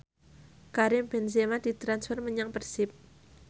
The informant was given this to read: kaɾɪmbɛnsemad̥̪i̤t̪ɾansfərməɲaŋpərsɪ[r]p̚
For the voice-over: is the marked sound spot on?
no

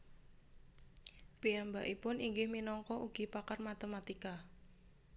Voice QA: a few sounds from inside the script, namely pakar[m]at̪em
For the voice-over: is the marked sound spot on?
yes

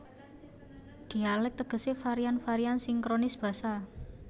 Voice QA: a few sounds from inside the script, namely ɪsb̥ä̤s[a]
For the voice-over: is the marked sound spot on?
yes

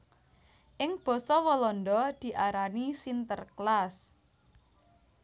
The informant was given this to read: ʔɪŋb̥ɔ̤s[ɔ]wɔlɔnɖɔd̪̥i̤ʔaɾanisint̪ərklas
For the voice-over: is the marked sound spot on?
yes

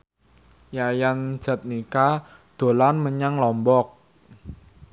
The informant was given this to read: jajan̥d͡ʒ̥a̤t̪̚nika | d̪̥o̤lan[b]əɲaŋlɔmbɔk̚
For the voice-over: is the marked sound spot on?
no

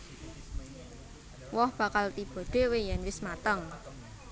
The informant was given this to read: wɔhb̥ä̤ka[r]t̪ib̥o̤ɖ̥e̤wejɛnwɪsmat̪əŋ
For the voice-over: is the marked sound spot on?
no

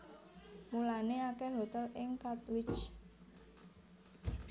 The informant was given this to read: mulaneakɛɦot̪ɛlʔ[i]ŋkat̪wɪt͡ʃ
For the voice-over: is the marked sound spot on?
no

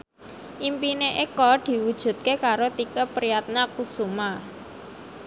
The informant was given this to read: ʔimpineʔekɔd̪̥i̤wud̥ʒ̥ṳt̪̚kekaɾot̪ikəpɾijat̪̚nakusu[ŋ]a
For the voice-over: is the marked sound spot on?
no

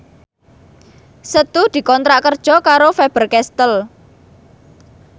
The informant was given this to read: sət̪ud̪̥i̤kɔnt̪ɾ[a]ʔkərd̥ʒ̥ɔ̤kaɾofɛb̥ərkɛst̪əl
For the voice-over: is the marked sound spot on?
yes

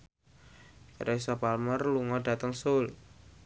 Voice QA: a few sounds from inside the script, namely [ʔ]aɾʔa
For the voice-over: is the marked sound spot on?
no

